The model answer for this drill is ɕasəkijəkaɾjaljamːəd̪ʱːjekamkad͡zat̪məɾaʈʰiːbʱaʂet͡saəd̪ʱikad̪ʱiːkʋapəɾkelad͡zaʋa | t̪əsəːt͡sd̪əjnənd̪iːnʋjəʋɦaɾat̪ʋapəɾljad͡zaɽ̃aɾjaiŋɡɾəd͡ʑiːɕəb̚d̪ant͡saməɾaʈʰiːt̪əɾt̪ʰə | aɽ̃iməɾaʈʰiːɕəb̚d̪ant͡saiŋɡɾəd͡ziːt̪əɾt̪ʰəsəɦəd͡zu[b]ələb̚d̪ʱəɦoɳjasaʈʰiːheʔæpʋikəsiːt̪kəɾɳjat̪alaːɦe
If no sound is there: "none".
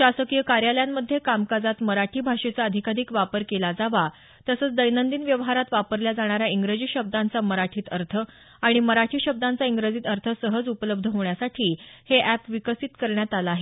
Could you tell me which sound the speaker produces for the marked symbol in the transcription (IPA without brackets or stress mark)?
p